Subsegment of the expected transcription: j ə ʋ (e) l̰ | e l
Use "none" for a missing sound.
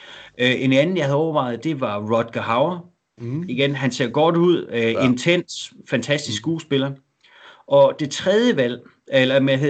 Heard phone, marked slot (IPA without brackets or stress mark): æ